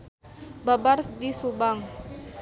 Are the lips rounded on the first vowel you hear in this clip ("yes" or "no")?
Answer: no